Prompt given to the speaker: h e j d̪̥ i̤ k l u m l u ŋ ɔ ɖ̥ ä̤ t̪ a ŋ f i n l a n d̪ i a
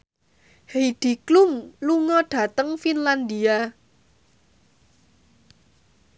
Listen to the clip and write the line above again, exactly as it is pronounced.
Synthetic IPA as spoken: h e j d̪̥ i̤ k l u m l u ŋ ɔ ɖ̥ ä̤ t̪ ə ŋ f i n l a n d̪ i a

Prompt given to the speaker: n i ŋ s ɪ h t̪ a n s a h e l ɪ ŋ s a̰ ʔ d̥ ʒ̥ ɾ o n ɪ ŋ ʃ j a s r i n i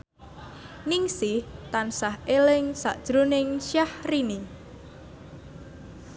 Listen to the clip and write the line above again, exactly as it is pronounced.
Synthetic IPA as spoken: n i ŋ s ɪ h t̪ a n s a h e l ɪ ŋ s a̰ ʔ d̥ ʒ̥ ɾ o n ɪ ŋ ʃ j a h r i n i

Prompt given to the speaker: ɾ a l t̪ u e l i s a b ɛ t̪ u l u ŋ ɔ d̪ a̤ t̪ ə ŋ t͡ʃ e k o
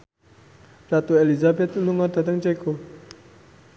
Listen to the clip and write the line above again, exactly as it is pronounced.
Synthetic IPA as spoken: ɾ a t̪ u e l i z a b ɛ t̪ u l u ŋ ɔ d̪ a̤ t̪ ə ŋ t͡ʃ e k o

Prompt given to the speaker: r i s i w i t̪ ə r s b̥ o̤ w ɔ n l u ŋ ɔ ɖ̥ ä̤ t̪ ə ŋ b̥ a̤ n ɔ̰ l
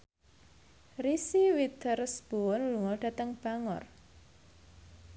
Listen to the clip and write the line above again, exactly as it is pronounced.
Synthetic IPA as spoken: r i s i w i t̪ ə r s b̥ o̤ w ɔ n l u ŋ ɔ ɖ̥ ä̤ t̪ ə ŋ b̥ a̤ ŋ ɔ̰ r

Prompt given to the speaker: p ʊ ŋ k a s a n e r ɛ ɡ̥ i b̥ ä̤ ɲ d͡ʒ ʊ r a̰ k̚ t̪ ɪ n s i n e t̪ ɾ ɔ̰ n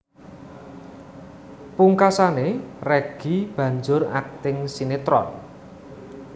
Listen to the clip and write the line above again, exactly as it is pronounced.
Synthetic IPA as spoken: p u ŋ k a s a n e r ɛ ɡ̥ i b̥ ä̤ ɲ d͡ʒ ʊ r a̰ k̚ t̪ ɪ ŋ s i n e t̪ ɾ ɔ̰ n

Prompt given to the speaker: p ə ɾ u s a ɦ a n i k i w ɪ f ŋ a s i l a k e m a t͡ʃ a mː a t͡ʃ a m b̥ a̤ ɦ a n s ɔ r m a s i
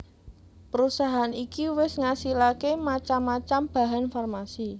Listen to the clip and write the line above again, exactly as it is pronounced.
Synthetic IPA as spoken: p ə ɾ u s a ɦ a n i k i w ɪ s ŋ a s i l a k e m a t͡ʃ a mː a t͡ʃ a m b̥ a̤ ɦ a n f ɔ r m a s i

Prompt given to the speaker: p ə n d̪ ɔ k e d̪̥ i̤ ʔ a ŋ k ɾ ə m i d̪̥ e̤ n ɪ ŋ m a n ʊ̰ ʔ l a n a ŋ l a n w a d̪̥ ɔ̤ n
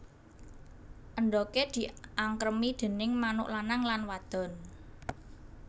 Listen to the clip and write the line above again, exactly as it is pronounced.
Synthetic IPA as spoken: ʔ ə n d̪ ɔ k e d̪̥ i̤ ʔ a ŋ k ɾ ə m i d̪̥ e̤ n ɪ ŋ m a n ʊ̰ ʔ l a n a ŋ l a n w a d̪̥ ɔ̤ n

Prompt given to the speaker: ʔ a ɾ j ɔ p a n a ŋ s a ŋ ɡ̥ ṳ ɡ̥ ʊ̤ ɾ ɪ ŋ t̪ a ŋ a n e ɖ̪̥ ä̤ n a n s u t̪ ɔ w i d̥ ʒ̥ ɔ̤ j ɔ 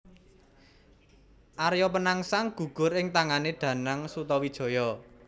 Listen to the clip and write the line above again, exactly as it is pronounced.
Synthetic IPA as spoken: ʔ a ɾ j ɔ p ə n a ŋ s a ŋ ɡ̥ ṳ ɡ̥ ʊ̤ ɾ ɪ ŋ t̪ a ŋ a n e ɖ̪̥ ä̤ n a ŋ s u t̪ ɔ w i d̥ ʒ̥ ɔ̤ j ɔ

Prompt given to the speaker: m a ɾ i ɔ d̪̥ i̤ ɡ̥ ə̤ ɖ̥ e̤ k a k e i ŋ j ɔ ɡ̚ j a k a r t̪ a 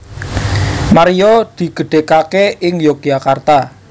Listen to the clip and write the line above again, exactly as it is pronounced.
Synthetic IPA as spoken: m a ɾ i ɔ d̪̥ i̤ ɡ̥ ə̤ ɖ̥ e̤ k a k e ɪ ŋ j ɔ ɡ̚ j a k a r t̪ a

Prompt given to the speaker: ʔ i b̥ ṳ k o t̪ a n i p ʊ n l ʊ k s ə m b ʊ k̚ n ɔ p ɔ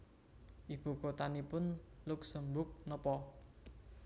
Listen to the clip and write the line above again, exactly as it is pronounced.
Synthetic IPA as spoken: ʔ i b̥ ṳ k o t̪ a n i p ʊ n l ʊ k s ə m b ʊ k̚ n ɔ p ɔ

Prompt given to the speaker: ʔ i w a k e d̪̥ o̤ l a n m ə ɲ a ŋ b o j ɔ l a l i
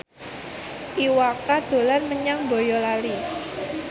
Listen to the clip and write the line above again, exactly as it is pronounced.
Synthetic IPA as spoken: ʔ i w a k a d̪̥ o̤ l a n m ə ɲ a ŋ b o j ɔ l a l i

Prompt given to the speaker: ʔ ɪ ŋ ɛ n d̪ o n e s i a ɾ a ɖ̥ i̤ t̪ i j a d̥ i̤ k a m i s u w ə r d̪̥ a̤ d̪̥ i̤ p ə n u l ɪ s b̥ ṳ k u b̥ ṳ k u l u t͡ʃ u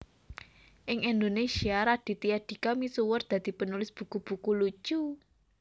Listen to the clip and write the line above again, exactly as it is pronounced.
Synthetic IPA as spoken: ʔ ɪ ŋ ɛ n d̪ o n e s i a ɾ a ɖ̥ i̤ t̪ i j a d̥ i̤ k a m i s u w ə r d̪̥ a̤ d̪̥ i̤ p ə n u l ɪ s b̥ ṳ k u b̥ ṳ k u l u t͡ʃ u

